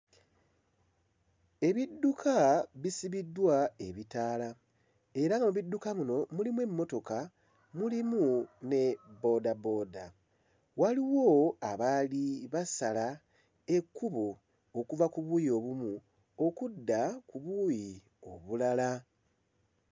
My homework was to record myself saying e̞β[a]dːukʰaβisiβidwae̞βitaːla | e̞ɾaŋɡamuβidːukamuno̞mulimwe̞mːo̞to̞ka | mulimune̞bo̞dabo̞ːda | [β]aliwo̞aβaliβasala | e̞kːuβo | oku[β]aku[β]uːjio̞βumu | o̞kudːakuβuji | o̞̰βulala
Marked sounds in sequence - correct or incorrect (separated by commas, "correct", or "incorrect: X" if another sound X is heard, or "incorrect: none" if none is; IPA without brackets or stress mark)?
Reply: incorrect: i, incorrect: w, incorrect: v, correct